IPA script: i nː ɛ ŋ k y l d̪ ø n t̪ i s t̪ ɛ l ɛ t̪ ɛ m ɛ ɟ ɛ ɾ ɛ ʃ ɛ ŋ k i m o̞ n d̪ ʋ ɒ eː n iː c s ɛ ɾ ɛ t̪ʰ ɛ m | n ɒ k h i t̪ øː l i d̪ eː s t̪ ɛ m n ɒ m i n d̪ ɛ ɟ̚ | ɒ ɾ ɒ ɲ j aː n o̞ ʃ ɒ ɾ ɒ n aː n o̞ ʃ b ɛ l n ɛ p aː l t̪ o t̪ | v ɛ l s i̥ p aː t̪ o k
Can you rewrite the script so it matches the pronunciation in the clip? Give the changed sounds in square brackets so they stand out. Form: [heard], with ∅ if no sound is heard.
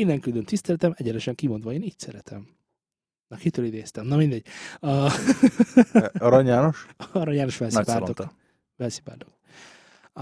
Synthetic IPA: i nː ɛ ŋ k y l d̪ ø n t̪ i s t̪ ɛ l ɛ t̪ ɛ m ɛ ɟ ɛ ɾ ɛ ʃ ɛ ŋ k i m o̞ n d̪ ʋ ɒ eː n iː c s ɛ ɾ ɛ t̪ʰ ɛ m | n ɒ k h i t̪ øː l i d̪ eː s t̪ ɛ m n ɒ m i n d̪ ɛ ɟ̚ | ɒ ɾ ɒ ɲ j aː n o̞ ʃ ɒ ɾ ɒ [ɲ] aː n o̞ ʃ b ɛ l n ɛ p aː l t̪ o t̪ | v ɛ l s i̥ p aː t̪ o k